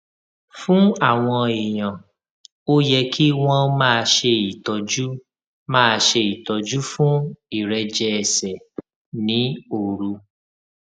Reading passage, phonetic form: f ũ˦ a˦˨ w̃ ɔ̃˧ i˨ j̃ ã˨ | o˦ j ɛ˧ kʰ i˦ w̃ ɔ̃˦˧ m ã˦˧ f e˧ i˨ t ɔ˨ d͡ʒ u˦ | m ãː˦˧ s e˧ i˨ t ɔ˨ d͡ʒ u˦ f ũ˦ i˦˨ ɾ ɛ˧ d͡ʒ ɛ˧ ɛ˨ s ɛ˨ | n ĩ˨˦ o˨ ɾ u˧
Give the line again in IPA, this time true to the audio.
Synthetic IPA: f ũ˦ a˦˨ w̃ ɔ̃˧ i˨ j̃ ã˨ | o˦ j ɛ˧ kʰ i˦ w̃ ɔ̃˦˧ m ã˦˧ ʃ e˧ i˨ t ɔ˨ d͡ʒ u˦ | m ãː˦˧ ʃ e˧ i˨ t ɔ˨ d͡ʒ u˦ f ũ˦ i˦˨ ɾ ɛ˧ d͡ʒ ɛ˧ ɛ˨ s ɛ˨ | n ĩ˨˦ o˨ ɾ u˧